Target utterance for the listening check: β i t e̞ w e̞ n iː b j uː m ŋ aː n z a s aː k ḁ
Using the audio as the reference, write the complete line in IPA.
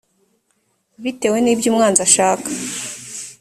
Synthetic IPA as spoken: β i t e̞ w e̞ n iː b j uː m ŋ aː n z a ʃ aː k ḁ